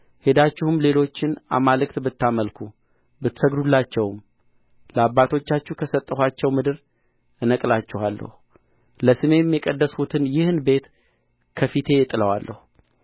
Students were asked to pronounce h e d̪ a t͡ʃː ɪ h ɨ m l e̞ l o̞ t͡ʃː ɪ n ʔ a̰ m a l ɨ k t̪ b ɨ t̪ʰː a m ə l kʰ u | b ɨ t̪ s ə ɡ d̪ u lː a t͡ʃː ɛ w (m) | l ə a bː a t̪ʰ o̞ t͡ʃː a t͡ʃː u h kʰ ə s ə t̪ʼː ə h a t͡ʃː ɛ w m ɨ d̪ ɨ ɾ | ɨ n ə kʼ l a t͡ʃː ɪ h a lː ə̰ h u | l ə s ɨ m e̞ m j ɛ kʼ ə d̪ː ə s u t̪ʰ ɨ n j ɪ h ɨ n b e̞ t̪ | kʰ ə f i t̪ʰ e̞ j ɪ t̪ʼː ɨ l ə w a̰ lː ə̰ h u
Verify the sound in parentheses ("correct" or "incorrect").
correct